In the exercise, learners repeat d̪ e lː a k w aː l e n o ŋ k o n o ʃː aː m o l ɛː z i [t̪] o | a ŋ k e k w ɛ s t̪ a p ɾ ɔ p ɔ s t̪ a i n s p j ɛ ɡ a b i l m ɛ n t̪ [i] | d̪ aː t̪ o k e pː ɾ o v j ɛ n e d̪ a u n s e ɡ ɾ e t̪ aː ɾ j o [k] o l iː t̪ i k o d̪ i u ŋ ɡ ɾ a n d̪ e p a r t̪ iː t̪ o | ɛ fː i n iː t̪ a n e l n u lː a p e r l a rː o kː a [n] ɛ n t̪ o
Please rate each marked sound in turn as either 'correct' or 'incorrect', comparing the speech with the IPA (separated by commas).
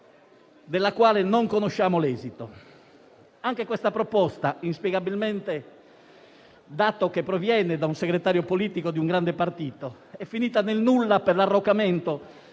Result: correct, incorrect, incorrect, incorrect